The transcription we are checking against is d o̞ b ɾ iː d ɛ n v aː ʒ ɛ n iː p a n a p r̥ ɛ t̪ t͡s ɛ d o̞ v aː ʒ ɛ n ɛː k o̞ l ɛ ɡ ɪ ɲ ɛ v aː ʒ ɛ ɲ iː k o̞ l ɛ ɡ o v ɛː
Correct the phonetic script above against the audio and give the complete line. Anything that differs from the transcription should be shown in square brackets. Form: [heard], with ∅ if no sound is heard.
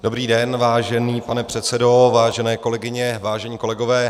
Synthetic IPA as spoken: d o̞ b ɾ iː d ɛ n v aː ʒ ɛ n iː p a n [ɛ] p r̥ ɛ t̪ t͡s ɛ d o̞ v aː ʒ ɛ n ɛː k o̞ l ɛ ɡ ɪ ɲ ɛ v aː ʒ ɛ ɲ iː k o̞ l ɛ ɡ o v ɛː